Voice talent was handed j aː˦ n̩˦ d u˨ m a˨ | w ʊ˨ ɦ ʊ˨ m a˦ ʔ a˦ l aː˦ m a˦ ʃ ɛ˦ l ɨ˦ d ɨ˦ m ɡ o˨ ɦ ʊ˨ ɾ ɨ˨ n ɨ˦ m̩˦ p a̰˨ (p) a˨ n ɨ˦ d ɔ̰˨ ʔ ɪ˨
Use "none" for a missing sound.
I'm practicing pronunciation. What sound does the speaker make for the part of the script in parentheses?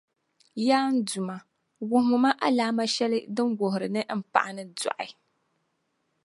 ʔ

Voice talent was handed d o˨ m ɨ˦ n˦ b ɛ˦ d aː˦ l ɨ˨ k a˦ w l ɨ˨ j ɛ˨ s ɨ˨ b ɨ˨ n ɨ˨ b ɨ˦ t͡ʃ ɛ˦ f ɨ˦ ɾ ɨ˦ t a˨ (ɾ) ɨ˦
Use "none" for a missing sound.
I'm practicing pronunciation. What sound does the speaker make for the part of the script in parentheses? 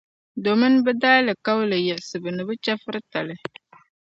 l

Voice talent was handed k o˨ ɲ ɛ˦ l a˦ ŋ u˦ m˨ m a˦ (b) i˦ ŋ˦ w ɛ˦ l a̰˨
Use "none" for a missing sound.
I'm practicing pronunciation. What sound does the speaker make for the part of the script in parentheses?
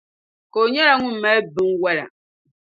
b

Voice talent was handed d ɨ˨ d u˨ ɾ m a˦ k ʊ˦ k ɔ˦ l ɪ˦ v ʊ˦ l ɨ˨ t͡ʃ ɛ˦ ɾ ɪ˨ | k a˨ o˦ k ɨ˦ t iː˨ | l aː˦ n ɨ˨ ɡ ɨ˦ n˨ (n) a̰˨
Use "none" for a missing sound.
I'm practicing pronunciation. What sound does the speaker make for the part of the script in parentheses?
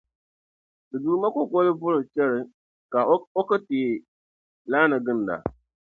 d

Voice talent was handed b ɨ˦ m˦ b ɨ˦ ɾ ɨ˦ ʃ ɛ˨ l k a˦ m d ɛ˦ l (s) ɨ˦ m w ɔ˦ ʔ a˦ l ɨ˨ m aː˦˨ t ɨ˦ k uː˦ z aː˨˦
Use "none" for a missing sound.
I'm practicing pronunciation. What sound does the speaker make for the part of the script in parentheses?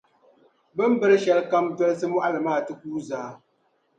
s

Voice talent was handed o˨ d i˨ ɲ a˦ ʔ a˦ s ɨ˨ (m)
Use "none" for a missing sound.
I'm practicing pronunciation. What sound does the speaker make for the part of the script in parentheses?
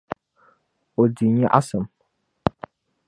m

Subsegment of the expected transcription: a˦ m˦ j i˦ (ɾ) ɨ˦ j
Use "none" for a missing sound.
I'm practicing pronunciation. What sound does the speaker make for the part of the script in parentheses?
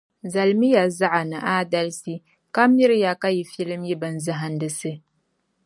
ɾ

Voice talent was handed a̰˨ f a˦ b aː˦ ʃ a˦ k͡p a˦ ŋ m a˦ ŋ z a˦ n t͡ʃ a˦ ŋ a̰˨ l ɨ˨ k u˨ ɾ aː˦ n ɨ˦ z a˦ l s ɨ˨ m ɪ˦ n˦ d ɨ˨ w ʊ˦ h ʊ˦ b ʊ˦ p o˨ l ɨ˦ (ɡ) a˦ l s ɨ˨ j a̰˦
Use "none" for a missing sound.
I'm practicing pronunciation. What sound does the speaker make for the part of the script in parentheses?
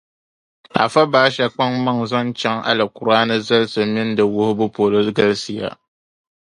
ɡ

